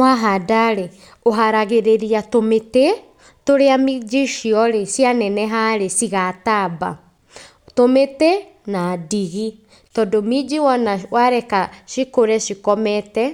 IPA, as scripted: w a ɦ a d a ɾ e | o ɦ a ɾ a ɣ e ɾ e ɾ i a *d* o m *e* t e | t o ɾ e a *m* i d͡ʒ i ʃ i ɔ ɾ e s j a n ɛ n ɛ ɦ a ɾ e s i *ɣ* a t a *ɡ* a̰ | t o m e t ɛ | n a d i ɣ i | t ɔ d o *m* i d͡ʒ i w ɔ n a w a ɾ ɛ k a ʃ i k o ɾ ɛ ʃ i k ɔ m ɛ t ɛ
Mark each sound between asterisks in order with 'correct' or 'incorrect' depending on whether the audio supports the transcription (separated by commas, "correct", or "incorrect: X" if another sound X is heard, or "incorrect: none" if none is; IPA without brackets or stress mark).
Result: incorrect: t, correct, correct, correct, incorrect: b, correct